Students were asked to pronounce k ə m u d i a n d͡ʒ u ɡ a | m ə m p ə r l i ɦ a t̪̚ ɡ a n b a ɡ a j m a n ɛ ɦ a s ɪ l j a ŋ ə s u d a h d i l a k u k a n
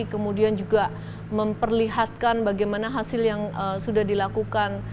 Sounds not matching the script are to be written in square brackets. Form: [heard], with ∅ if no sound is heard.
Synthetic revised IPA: k ə m u d i a n d͡ʒ u ɡ a | m ə m p ə r l i ɦ a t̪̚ [k] a n b a ɡ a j m a n [a] ɦ a s ɪ l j a ŋ ə s u d a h d i l a k u k a n

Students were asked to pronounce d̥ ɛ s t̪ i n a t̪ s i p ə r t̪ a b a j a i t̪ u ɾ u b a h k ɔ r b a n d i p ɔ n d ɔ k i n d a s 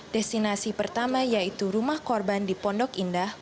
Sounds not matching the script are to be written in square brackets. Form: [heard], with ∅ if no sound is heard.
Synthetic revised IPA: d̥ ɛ s t̪ i n a [∅] s i p ə r t̪ a [m] a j a i t̪ u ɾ u [m] a h k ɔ r b a n d i p ɔ n d ɔ k i n d a [h]

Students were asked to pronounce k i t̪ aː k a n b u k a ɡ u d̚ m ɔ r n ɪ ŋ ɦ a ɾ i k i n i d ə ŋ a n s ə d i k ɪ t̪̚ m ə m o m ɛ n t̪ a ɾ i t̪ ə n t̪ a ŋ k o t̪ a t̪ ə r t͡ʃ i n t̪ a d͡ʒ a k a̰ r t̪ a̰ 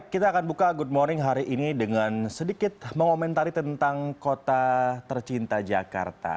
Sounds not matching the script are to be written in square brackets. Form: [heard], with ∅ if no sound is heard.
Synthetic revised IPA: k i t̪ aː k a n b u k a ɡ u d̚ m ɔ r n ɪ ŋ ɦ a ɾ i [ʔ] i n i d ə ŋ a n s ə d i k ɪ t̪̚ m ə [ŋ] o m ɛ n t̪ a ɾ i t̪ ə n t̪ a ŋ k o t̪ a t̪ ə r t͡ʃ i n t̪ a d͡ʒ a k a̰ r t̪ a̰

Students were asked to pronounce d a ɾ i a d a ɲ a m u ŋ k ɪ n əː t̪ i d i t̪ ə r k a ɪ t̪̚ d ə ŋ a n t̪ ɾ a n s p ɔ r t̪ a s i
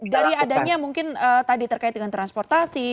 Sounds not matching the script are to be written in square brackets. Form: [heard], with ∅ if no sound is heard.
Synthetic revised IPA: d a ɾ i a d a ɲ a m u ŋ k ɪ n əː t̪ [a] d i t̪ ə r k a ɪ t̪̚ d ə ŋ a n t̪ ɾ a n s p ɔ r t̪ a s i

